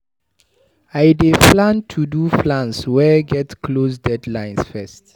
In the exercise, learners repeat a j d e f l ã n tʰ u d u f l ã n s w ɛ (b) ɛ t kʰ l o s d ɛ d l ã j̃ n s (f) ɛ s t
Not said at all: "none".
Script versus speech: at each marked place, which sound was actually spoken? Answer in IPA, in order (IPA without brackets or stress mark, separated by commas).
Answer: ɡ, f